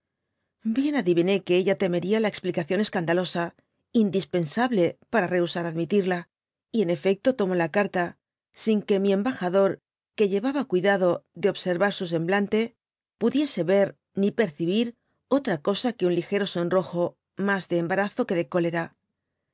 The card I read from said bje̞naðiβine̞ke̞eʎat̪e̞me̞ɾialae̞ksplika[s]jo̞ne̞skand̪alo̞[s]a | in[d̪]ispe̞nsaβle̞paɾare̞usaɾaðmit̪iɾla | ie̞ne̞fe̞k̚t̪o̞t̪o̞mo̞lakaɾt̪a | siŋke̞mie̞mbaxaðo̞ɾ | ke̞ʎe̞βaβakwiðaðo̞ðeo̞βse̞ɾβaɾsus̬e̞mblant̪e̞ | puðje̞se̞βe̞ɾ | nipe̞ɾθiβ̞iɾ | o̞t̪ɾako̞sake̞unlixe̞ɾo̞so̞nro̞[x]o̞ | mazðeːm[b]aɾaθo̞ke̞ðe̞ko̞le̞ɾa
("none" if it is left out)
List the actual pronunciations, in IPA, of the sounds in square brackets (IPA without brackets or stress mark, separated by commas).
θ, s, d̪, x, b